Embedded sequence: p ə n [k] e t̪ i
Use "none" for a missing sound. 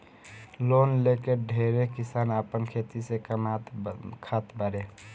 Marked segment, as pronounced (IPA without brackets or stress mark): kʰ